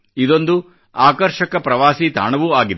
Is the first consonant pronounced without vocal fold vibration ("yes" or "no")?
no